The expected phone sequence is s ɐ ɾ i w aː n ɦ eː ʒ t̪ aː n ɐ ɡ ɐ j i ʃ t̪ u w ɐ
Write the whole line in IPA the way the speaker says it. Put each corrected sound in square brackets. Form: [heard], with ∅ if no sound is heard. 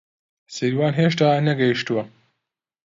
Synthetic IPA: s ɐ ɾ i w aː n ɦ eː [ʃ] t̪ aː n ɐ ɡ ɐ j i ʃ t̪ u w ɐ